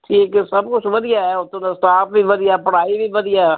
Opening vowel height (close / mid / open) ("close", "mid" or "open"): close